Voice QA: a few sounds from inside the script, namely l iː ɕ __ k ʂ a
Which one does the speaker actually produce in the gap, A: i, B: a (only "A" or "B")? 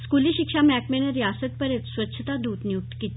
A